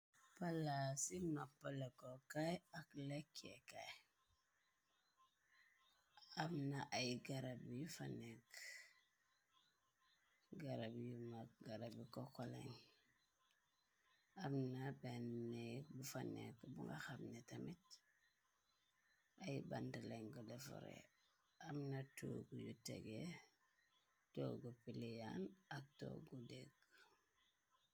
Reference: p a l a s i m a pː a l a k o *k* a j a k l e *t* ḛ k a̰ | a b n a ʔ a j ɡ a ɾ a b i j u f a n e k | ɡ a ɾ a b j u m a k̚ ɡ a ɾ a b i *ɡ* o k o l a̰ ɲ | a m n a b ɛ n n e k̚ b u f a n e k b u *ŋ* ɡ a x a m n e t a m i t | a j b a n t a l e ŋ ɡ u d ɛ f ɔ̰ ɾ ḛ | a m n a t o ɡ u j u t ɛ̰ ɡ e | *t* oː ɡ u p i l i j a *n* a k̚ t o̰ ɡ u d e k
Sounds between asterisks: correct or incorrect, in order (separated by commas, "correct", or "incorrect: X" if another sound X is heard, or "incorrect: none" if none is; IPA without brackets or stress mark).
correct, incorrect: k, incorrect: k, correct, correct, correct